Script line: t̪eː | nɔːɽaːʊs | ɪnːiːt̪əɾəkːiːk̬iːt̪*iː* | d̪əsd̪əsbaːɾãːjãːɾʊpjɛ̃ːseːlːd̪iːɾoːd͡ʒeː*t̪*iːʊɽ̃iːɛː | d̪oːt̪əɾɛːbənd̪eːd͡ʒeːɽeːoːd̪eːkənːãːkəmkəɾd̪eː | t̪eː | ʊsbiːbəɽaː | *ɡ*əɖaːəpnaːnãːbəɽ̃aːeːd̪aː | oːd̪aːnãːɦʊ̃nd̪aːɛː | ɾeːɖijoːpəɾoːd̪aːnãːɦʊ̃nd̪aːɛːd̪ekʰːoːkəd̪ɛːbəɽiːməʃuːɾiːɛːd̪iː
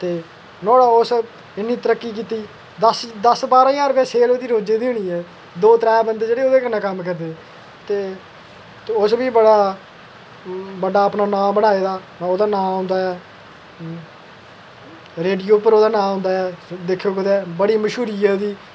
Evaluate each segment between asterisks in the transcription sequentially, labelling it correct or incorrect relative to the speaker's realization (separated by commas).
correct, incorrect, incorrect